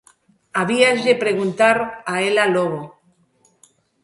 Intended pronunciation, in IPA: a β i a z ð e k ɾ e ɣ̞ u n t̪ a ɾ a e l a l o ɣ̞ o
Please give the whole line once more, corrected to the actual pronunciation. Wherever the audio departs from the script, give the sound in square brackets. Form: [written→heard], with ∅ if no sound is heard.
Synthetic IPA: a β i a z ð e [k→p] ɾ e ɣ̞ u n t̪ a ɾ a e l a l o ɣ̞ o